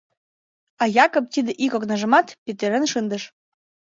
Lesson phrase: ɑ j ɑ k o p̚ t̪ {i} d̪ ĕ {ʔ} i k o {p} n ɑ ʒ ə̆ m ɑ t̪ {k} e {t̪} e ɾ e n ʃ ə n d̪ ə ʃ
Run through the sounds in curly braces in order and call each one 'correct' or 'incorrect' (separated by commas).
correct, correct, incorrect, incorrect, correct